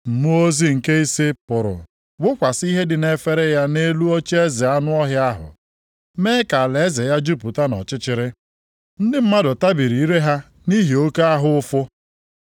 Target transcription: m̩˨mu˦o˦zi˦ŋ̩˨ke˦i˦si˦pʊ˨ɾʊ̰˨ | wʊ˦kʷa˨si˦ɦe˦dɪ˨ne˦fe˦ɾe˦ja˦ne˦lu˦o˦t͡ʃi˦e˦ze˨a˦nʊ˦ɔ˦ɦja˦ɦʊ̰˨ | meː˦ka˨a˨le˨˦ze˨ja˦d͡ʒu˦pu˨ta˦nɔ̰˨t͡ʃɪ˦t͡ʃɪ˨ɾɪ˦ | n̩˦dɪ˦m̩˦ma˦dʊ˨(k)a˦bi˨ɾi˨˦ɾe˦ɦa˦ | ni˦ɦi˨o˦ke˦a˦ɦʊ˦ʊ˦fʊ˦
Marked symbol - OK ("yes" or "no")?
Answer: no